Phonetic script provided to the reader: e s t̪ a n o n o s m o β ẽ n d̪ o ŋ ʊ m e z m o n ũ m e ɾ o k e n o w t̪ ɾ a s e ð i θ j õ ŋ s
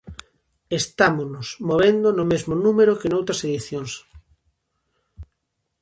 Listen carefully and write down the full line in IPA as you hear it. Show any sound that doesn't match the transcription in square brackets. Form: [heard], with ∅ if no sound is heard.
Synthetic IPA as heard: e s t̪ a [m] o n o s m o β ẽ n d̪ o [n] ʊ m e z m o n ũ m e ɾ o k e n o w t̪ ɾ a s e ð i θ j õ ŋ s